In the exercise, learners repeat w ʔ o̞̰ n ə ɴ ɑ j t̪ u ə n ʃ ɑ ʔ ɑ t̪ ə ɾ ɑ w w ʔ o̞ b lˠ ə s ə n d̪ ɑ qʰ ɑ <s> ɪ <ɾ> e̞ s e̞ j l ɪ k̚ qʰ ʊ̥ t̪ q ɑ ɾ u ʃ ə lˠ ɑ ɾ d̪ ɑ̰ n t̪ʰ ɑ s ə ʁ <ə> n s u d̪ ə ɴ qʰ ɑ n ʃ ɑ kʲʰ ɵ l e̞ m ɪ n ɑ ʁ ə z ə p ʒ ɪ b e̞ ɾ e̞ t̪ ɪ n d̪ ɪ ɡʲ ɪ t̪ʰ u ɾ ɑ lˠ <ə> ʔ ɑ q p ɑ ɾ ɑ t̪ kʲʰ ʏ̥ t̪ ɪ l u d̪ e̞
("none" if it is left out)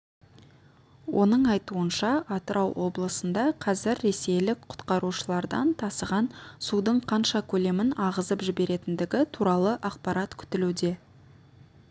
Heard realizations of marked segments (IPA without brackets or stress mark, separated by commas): z, ɾː, ɑ, ə